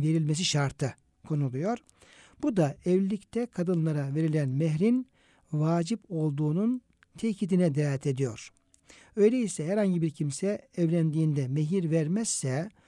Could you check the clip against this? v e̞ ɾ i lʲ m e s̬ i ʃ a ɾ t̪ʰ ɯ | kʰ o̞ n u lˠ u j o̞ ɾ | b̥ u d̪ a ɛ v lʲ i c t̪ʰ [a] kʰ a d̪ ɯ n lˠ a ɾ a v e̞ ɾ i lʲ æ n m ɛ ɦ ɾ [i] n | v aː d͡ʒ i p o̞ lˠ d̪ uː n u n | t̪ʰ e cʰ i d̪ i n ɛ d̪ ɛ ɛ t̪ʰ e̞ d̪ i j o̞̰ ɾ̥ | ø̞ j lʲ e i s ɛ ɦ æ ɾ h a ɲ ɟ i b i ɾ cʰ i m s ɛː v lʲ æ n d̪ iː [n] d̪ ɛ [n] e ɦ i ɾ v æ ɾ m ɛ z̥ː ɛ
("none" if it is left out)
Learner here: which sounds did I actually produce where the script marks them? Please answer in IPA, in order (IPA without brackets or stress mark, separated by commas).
ɛ, i, n, m